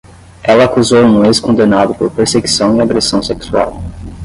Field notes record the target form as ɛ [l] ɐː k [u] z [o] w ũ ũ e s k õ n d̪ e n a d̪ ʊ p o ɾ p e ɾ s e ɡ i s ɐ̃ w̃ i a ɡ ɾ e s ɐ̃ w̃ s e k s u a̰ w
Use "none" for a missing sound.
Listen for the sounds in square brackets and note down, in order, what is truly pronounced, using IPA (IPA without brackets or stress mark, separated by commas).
l, u, o